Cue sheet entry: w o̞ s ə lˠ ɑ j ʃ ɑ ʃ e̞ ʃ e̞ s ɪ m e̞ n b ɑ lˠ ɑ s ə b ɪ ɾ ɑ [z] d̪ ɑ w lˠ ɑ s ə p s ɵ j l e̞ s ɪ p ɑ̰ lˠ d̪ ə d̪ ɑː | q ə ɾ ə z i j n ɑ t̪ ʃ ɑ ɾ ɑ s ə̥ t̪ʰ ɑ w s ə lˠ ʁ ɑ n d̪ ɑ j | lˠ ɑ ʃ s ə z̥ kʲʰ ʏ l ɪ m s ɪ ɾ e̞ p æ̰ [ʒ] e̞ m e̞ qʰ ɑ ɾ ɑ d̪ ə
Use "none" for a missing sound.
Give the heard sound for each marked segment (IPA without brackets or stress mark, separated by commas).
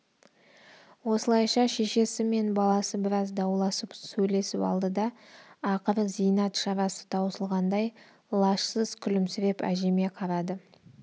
z, ʒ